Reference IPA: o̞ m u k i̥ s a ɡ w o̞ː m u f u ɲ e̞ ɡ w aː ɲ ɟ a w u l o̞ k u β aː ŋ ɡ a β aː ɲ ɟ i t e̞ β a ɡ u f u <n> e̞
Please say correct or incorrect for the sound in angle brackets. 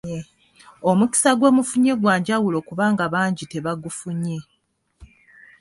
incorrect: ɲ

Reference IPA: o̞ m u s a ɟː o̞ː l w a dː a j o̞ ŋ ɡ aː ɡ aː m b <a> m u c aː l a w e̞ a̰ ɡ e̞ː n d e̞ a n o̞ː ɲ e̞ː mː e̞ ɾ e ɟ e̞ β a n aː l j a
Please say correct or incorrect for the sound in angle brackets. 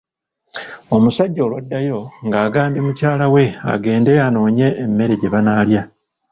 incorrect: i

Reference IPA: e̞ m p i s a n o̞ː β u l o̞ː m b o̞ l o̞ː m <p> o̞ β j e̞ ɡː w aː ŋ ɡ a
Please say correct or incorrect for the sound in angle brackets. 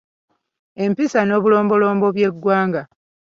incorrect: b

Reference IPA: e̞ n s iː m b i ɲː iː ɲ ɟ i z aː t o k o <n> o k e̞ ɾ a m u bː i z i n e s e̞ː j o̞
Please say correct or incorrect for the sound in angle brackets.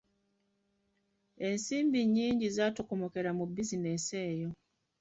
incorrect: m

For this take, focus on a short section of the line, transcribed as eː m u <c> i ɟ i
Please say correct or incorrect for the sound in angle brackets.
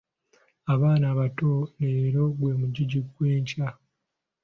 incorrect: ɟ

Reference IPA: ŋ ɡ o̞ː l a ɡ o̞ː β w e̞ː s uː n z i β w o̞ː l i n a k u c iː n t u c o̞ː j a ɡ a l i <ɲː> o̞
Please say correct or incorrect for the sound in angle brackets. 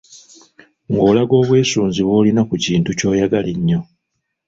correct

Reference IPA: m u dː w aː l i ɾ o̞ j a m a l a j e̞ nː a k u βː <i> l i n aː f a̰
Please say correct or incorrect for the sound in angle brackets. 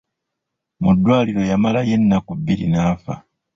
correct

